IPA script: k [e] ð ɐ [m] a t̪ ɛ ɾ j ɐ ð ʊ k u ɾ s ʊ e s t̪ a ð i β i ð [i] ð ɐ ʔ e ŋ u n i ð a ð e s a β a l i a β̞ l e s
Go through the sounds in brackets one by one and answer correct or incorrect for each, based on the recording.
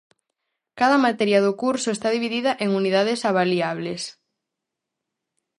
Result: incorrect: a, correct, correct

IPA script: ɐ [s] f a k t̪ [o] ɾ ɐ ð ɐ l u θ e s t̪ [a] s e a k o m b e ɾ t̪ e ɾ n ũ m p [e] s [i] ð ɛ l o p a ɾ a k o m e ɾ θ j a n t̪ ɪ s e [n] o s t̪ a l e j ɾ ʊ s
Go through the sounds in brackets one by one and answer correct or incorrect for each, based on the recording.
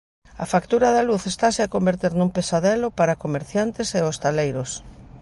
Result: incorrect: none, incorrect: u, correct, correct, incorrect: a, incorrect: none

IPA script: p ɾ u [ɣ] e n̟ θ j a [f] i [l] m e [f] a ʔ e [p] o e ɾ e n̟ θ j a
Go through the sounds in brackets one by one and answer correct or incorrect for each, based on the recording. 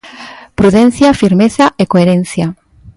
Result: incorrect: ð, correct, incorrect: ɾ, incorrect: θ, incorrect: k

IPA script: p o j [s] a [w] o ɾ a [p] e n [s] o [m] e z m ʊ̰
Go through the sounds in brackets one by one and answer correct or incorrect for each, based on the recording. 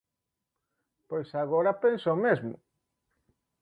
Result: correct, incorrect: ɣ, correct, correct, correct

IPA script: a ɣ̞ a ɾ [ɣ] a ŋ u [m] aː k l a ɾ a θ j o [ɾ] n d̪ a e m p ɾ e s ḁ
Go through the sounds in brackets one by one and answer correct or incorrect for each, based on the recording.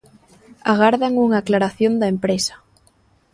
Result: incorrect: ð, incorrect: ŋ, incorrect: none

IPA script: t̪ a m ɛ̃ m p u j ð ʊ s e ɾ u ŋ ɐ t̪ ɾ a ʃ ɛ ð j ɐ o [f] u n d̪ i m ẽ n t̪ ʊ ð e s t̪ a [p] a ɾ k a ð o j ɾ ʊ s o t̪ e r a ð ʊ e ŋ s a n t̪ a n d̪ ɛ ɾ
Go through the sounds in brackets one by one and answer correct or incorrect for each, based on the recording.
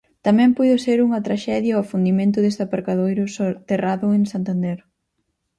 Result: correct, correct

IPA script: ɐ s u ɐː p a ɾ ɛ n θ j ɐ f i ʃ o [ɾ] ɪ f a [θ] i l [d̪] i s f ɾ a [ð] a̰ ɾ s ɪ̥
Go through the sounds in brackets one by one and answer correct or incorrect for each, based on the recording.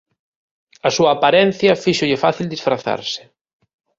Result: incorrect: ʎ, correct, correct, incorrect: θ

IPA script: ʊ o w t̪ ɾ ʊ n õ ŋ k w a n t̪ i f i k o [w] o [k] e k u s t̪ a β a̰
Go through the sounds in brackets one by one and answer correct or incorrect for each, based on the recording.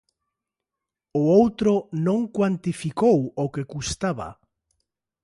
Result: correct, correct

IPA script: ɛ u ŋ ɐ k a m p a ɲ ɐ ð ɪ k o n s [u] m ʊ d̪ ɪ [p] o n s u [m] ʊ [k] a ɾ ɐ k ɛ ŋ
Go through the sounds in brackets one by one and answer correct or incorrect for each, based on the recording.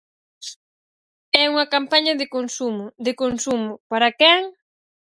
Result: correct, incorrect: k, correct, incorrect: p

